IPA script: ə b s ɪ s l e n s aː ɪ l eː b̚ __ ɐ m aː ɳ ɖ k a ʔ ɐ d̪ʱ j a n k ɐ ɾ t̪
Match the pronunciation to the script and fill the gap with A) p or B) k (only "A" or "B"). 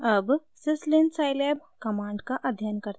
B